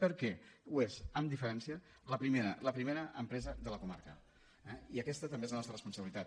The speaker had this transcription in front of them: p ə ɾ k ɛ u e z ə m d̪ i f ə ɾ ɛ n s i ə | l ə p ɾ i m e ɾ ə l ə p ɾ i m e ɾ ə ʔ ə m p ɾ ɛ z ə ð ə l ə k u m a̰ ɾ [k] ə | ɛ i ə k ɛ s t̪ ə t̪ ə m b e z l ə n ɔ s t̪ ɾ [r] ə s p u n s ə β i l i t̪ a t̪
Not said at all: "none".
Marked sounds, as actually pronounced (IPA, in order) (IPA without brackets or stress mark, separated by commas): k, r